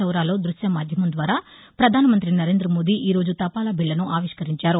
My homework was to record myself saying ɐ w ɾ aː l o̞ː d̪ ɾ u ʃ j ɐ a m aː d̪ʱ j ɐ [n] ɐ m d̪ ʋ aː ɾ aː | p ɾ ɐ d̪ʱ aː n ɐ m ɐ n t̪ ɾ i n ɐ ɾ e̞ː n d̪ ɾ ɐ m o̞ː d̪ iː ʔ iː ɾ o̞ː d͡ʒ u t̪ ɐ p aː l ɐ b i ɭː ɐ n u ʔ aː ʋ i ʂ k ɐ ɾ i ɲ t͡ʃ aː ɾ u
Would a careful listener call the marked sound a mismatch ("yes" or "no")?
yes